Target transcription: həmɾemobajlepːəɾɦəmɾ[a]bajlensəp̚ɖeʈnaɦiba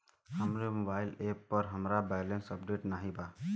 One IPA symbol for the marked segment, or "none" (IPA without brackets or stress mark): a